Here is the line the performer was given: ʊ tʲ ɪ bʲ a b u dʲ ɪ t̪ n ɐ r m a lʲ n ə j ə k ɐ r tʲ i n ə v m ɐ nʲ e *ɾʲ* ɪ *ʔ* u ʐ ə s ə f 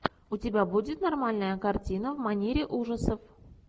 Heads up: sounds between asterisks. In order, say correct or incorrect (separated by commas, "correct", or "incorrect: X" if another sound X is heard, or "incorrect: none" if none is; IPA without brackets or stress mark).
correct, correct